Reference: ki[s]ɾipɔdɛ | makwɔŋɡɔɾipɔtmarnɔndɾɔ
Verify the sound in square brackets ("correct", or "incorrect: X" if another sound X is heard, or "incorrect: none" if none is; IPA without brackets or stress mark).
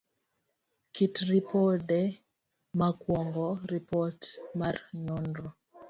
incorrect: t